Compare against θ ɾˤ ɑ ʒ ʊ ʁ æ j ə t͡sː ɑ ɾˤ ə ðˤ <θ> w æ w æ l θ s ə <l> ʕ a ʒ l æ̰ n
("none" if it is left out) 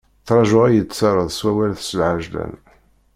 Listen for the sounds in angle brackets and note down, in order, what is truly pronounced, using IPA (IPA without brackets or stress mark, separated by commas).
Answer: s, l